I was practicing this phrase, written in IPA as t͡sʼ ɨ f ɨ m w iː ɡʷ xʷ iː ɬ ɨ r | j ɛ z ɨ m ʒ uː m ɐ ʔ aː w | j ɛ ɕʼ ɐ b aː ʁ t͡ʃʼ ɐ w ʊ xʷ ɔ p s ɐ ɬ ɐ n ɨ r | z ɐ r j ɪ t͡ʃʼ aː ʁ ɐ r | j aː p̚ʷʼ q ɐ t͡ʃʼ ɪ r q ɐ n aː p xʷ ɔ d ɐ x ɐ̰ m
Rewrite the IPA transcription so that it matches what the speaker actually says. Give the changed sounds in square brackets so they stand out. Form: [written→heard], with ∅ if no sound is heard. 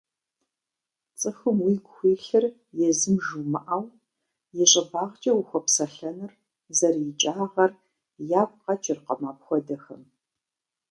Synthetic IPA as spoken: t͡sʼ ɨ [f→x] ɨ m w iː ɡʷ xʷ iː ɬ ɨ r | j ɛ z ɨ m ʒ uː m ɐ ʔ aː w | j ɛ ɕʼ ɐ b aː ʁ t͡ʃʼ ɐ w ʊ xʷ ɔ p s ɐ ɬ ɐ n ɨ r | z ɐ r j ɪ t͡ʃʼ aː ʁ ɐ r | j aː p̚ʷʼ q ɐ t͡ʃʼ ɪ r q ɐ [n→m] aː p xʷ ɔ d ɐ x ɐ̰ m